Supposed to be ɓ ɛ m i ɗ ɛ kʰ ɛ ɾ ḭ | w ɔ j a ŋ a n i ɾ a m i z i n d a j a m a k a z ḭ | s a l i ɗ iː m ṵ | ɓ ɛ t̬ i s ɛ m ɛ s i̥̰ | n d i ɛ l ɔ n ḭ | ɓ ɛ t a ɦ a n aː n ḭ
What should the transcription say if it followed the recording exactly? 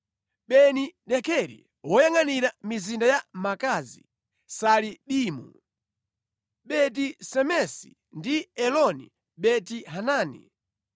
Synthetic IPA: ɓ ɛ n i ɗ ɛ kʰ ɛ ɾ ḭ | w ɔ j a ŋ a n i ɾ a m i z i n d a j a m a k a z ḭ | s a l i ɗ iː m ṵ | ɓ ɛ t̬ i s ɛ m ɛ s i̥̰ | n d i ɛ l ɔ n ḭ | ɓ ɛ t i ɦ a n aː n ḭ